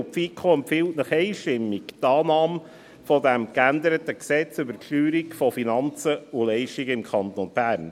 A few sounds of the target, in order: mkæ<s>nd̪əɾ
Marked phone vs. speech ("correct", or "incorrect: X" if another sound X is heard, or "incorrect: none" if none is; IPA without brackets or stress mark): incorrect: none